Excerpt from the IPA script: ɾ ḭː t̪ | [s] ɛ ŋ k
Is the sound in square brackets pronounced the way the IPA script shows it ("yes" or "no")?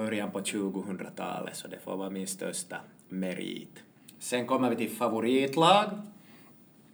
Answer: yes